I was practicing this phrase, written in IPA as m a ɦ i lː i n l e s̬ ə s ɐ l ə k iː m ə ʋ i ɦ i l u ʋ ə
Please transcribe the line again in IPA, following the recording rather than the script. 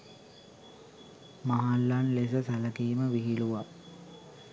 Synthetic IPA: m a ɦ a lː a n l e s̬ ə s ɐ l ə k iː m ə ʋ i ɦ i l u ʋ a